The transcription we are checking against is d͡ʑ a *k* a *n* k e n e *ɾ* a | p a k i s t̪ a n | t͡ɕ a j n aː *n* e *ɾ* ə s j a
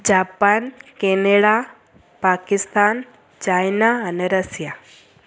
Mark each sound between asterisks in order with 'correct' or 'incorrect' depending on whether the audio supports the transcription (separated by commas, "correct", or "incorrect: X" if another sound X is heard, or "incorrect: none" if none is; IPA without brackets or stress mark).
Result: incorrect: p, correct, incorrect: ɽ, correct, correct